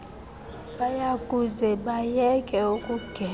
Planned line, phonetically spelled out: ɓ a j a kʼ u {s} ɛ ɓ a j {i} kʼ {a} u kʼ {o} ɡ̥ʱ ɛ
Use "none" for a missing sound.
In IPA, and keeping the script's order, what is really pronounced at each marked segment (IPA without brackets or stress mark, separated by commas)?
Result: z, ɛ, ɛ, u